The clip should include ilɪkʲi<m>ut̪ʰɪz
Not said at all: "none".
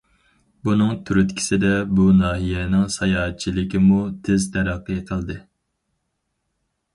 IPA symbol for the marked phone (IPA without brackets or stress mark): m